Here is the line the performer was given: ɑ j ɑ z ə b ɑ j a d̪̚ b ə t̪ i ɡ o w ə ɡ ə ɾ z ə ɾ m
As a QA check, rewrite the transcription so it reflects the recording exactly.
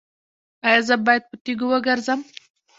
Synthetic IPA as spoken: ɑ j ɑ z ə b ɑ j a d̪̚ p ə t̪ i ɡ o w ə ɡ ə ɾ z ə m